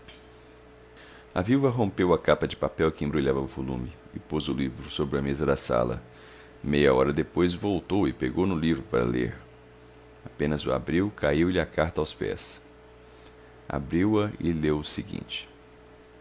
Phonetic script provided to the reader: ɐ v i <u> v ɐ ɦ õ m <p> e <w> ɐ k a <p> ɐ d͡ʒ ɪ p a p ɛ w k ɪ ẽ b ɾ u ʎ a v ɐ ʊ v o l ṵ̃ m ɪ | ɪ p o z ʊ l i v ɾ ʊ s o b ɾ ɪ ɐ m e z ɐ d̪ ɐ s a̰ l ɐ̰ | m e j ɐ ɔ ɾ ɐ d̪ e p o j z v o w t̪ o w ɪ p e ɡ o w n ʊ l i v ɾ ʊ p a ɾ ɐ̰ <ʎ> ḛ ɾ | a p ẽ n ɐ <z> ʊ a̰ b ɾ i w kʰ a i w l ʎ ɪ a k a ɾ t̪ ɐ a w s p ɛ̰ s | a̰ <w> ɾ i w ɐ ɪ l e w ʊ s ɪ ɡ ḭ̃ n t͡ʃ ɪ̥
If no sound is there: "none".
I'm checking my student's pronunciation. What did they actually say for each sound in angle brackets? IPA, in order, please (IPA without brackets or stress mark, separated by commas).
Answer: w, p, w, p, l, z, b